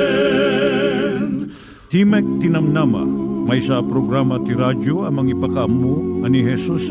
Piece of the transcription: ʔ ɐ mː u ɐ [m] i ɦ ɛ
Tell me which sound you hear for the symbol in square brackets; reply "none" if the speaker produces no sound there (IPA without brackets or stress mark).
n